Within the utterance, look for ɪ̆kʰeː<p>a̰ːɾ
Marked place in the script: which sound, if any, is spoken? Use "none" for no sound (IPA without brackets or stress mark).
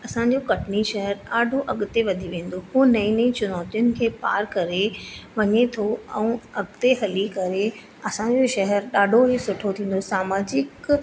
p